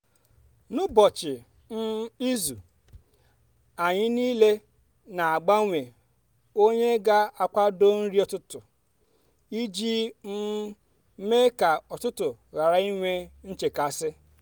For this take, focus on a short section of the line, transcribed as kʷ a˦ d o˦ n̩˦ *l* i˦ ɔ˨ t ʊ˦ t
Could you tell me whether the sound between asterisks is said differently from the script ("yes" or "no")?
yes